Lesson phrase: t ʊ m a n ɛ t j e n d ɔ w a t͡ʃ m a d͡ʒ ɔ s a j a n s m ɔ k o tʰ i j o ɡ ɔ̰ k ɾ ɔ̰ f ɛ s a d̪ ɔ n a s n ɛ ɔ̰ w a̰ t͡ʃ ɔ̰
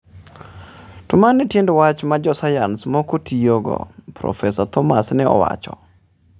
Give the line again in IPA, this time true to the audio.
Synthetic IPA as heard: t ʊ m a n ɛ t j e n d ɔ w a t͡ʃ m a d͡ʒ ɔ s a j a n s m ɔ k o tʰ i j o ɡ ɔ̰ p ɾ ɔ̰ f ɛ s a t̪ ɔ m a s n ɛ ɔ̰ w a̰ t͡ʃ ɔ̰